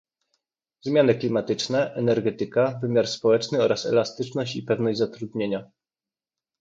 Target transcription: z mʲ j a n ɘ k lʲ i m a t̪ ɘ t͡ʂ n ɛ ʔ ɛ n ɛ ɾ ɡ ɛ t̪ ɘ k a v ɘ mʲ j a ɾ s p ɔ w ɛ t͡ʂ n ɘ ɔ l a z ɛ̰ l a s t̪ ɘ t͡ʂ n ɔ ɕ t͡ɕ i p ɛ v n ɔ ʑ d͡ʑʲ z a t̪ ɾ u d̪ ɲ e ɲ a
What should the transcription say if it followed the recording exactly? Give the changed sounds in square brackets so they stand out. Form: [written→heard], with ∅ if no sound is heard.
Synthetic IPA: z mʲ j a n ɘ k lʲ i m a t̪ ɘ t͡ʂ n ɛ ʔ ɛ n ɛ ɾ ɡ ɛ t̪ ɘ k a v ɘ mʲ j a ɾ s p ɔ w ɛ t͡ʂ n ɘ ɔ [l→ɾ] a [z→s] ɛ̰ l a s t̪ ɘ t͡ʂ n ɔ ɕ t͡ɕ i p ɛ v n ɔ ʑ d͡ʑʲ z a t̪ ɾ u d̪ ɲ e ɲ a